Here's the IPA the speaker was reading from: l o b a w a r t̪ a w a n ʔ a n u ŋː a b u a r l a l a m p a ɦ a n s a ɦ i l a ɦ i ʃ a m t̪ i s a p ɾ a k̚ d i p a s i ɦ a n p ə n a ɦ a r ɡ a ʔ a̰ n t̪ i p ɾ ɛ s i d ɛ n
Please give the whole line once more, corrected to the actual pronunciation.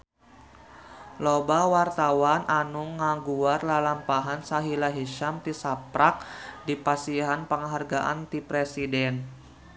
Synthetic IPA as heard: l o b a w a r t̪ a w a n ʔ a n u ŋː a ɡ u a r l a l a m p a ɦ a n s a ɦ i l a ɦ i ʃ a m t̪ i s a p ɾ a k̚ d i p a s i ɦ a n p ə ŋ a ɦ a r ɡ a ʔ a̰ n t̪ i p ɾ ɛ s i d ɛ n